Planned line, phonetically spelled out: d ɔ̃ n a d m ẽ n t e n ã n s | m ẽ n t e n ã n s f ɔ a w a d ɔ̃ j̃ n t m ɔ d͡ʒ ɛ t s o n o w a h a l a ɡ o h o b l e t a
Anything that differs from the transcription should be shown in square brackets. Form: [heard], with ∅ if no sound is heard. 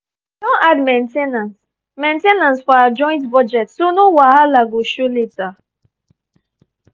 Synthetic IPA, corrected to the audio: d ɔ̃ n a d m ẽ n t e n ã n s | m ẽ n t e n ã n s f ɔ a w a [d͡ʒ] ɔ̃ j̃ n t [b] ɔ d͡ʒ ɛ t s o n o w a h a l a ɡ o [ʃ] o [∅] l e t a